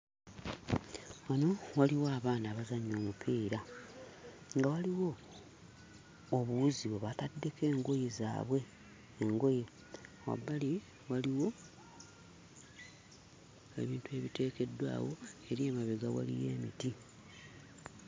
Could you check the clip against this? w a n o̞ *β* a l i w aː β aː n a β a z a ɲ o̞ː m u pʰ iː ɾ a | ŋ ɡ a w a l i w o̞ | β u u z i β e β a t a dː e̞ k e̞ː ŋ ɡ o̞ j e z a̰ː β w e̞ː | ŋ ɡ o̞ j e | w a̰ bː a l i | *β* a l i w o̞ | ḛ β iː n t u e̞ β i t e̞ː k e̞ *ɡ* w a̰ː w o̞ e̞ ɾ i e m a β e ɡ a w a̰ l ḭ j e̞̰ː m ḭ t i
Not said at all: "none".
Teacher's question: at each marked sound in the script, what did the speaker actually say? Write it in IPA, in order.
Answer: w, w, d

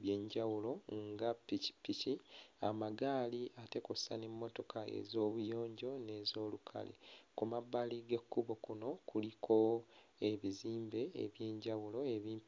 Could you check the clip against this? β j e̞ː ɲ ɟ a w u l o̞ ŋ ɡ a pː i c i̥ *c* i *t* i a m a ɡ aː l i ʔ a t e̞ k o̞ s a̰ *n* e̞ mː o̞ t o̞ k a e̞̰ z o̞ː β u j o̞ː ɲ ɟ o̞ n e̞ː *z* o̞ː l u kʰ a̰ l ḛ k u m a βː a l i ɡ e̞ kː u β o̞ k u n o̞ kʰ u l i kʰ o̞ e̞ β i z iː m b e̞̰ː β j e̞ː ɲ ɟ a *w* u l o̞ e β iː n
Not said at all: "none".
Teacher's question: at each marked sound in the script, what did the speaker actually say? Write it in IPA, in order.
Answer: p, c, n, z, w

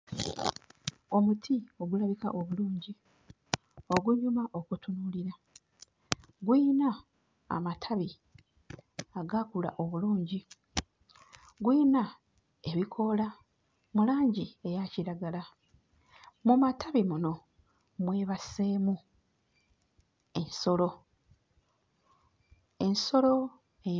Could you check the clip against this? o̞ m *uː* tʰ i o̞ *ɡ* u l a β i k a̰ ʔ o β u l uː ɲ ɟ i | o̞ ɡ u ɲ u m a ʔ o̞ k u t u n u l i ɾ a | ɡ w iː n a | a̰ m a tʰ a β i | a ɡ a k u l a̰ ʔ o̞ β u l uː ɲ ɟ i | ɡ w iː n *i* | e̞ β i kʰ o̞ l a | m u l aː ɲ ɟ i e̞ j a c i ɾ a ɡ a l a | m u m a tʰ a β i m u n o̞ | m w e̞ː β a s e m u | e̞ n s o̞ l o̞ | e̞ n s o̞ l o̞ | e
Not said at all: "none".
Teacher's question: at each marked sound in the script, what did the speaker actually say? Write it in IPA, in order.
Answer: u, ɡ, a

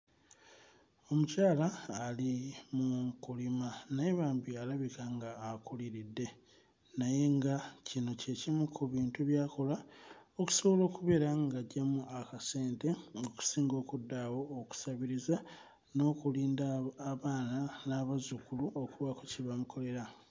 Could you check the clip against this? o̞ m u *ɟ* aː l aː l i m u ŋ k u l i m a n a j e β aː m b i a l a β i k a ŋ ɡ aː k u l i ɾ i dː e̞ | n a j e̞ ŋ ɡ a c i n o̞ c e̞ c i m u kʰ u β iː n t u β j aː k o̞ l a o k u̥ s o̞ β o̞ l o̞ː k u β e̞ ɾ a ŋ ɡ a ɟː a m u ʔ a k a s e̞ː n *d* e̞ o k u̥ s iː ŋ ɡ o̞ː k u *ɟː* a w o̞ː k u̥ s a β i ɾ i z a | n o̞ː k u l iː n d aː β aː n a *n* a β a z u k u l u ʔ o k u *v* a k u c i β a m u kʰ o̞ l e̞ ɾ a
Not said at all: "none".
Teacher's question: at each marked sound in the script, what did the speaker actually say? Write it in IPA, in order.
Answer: c, t, dː, n, β

